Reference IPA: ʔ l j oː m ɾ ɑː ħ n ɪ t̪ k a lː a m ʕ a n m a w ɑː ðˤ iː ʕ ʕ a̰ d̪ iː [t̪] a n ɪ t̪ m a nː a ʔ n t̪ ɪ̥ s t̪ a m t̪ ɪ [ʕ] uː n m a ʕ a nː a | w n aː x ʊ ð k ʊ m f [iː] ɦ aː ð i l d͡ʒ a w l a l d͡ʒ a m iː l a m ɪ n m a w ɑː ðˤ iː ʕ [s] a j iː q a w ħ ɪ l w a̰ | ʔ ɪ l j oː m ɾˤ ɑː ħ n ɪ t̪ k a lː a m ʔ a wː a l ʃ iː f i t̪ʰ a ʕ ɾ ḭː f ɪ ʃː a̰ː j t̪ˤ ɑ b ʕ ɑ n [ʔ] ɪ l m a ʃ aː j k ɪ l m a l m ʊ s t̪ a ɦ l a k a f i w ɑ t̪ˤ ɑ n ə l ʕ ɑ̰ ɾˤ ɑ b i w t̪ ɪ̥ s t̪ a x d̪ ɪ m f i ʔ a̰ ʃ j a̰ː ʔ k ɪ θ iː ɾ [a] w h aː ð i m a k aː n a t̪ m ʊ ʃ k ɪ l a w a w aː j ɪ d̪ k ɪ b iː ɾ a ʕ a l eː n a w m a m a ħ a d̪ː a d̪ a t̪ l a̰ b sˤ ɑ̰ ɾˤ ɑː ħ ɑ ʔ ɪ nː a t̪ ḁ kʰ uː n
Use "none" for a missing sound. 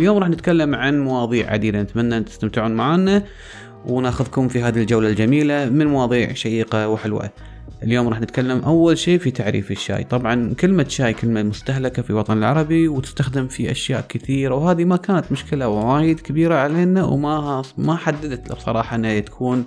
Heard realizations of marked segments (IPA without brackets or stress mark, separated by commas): d̪, ʕ, i, ʃ, k, a